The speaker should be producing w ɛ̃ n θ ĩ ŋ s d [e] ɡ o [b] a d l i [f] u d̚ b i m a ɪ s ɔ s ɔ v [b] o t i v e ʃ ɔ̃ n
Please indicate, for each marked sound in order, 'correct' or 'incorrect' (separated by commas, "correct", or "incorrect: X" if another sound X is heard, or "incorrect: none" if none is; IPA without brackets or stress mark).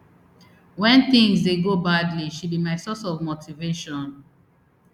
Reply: correct, correct, incorrect: ʃ, incorrect: m